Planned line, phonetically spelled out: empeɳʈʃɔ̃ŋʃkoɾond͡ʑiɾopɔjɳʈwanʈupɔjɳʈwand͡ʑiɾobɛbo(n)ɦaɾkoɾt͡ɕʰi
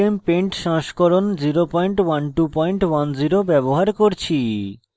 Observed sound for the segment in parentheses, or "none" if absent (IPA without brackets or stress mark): none